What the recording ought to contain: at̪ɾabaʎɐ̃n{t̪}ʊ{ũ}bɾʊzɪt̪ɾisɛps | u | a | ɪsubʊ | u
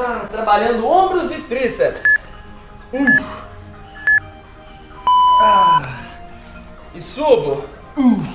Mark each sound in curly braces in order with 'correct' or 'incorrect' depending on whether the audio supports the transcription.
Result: incorrect: d̪, incorrect: õ

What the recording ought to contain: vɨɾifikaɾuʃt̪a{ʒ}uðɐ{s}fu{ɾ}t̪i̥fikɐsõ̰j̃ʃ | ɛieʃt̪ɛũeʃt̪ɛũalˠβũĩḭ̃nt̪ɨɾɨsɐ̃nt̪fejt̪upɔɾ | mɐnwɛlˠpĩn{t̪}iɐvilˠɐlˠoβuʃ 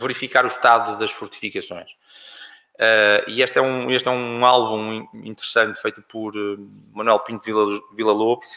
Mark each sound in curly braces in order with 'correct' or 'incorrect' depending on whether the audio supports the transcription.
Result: incorrect: ð, incorrect: ʃ, correct, correct

